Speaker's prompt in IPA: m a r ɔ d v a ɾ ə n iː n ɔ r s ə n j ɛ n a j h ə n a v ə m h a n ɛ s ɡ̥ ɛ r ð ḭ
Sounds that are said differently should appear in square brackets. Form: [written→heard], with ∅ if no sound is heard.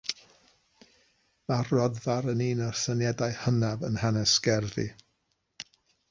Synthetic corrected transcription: m a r ɔ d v a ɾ ə n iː n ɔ r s ə n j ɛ [n→d] a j h ə n a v ə [m→n] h a n ɛ s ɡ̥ ɛ r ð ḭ